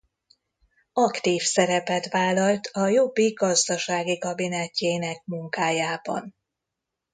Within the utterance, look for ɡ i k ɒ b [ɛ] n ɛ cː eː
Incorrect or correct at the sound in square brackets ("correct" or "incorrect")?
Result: incorrect